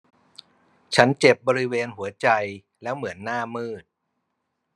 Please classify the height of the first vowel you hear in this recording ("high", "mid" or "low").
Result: low